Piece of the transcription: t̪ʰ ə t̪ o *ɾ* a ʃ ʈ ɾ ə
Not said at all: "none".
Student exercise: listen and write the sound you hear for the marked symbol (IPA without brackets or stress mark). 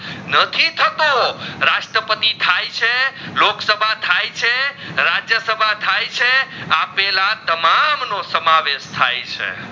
ɾ